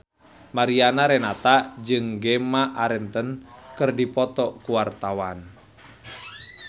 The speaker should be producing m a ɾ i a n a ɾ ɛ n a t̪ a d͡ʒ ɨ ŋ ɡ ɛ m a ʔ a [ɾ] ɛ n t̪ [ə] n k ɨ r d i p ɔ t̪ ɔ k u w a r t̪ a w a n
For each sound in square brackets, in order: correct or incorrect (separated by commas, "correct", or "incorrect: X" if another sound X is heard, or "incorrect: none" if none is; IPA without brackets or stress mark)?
correct, correct